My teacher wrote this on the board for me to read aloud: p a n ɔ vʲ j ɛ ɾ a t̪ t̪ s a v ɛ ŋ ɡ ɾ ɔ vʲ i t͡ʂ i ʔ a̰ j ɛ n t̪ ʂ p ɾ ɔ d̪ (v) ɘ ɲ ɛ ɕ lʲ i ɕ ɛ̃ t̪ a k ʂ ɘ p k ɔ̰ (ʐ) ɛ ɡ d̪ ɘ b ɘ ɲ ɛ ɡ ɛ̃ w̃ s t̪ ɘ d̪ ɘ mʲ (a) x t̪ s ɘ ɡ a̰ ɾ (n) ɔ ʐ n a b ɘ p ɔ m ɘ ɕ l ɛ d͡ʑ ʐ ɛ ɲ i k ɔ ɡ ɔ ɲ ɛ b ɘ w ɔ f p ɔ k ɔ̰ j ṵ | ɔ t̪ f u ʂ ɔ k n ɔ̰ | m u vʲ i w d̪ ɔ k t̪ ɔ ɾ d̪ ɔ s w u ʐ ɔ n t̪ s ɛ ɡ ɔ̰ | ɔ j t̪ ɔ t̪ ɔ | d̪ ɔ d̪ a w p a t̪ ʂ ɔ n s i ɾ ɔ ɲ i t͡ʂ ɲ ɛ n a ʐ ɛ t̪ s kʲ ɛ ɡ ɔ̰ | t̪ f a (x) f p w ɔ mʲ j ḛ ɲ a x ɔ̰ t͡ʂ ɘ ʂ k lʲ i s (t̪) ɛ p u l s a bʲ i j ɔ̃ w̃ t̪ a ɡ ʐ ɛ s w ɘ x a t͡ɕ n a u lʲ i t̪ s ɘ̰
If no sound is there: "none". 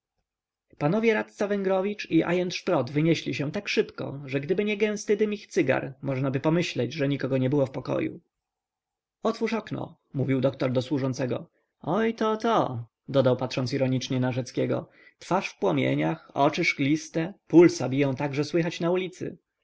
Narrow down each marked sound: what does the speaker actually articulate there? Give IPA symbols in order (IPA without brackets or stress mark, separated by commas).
v, ʐ, i, m, ʂ, t̪